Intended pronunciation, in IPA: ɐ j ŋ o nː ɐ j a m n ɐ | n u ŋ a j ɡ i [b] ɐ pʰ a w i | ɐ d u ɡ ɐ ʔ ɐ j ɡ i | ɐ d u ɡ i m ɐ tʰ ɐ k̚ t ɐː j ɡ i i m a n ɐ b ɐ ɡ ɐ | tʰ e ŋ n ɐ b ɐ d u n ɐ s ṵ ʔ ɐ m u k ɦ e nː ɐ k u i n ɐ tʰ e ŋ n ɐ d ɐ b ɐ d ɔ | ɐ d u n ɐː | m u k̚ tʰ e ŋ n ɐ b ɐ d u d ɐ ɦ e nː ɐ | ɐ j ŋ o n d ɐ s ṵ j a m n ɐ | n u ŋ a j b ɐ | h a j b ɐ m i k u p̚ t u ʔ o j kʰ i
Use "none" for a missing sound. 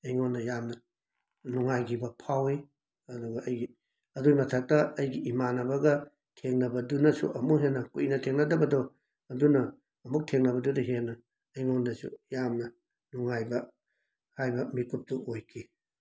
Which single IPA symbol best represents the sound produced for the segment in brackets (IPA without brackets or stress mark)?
b